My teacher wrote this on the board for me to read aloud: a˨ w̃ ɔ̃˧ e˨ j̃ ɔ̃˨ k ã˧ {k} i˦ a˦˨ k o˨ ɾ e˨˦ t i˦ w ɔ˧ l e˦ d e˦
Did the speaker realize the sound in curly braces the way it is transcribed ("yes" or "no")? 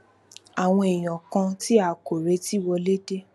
no